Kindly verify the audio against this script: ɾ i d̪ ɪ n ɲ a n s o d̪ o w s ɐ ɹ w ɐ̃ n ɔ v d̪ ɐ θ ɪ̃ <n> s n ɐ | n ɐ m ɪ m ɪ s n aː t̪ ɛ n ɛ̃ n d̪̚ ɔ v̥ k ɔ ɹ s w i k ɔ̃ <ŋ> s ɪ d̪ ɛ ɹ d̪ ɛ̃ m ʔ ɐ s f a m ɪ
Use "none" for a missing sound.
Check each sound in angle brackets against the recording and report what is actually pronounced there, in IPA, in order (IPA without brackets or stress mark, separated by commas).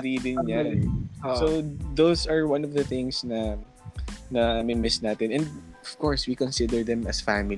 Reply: ŋ, n